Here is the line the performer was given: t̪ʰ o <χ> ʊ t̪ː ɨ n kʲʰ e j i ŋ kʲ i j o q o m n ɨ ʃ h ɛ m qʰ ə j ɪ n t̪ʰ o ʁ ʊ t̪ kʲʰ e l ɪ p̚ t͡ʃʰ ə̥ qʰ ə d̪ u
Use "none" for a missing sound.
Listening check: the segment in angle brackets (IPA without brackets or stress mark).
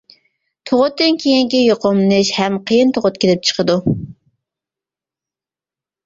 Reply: ʁ